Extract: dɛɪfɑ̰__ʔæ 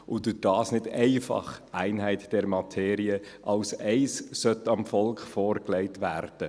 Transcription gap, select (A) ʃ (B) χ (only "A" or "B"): B